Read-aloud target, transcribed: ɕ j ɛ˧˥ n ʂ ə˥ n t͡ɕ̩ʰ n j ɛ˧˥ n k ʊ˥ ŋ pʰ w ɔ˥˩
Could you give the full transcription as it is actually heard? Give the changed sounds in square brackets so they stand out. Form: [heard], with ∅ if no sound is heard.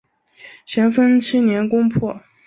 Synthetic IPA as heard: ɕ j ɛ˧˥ n [f] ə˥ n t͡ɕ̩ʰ n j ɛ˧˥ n k ʊ˥ ŋ pʰ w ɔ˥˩

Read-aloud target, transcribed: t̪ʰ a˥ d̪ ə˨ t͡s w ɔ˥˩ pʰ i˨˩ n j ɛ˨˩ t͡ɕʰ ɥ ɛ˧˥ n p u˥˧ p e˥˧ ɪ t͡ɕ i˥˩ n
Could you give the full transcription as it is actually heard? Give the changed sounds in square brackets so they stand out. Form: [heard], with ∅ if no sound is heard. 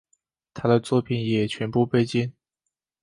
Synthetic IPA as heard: t̪ʰ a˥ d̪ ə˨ t͡s w ɔ˥˩ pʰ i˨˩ n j ɛ˨˩ t͡ɕʰ ɥ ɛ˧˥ n p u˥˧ p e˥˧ ɪ t͡ɕ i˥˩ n

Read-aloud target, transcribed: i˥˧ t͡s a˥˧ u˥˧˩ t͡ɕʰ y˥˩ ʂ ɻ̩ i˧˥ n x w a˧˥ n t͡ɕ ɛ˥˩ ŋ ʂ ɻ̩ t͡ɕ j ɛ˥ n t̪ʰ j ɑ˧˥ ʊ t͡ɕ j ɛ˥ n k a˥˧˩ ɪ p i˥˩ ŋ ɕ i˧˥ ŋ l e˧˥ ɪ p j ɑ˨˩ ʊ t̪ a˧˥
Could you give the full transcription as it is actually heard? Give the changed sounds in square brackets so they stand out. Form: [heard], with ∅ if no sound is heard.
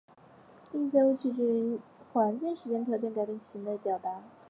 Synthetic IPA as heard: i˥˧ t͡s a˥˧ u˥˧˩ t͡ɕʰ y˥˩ [ʈ͡ʂ] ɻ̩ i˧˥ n x w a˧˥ n t͡ɕ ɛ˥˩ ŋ ʂ ɻ̩ t͡ɕ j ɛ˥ n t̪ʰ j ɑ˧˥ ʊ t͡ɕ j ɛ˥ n k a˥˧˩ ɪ p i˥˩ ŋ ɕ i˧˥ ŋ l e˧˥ ɪ p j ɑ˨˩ ʊ t̪ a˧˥

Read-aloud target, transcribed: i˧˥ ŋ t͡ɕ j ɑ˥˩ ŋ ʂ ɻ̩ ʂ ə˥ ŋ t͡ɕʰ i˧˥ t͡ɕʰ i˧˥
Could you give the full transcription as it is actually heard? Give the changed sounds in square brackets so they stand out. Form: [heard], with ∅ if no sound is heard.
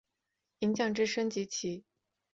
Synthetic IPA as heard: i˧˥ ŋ t͡ɕ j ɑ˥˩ ŋ [ʈ͡ʂ] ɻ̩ ʂ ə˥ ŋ [t͡ɕ] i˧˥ t͡ɕʰ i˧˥

